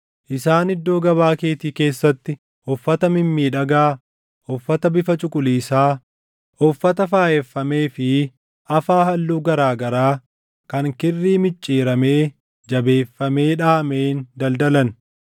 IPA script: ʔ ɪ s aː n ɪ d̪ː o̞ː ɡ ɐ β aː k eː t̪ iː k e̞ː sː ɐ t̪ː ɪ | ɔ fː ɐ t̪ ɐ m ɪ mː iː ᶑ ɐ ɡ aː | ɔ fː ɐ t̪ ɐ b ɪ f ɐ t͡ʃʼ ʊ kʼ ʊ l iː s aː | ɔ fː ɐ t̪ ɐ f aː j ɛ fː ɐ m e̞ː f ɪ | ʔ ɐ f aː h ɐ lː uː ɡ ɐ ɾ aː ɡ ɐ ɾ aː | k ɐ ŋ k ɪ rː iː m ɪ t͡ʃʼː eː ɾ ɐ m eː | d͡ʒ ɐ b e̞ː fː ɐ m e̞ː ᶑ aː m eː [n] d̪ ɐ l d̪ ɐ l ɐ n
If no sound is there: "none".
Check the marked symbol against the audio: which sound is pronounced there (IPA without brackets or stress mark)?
n